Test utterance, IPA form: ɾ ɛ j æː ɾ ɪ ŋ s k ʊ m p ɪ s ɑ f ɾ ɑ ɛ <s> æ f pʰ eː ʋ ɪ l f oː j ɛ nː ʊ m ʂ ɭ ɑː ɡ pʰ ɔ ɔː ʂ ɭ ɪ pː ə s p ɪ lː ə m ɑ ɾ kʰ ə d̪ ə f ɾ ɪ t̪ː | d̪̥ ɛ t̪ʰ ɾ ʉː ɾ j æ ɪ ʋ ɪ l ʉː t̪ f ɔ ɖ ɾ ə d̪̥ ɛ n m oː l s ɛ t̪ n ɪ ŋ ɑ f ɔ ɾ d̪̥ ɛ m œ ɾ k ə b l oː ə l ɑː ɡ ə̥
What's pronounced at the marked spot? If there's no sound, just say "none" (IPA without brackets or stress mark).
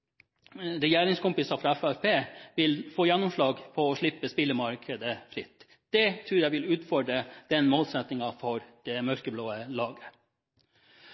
f